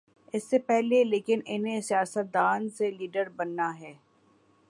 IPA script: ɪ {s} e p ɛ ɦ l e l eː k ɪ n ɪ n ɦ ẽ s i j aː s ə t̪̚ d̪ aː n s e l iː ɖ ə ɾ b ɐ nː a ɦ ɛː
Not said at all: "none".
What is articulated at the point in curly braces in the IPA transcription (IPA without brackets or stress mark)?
sː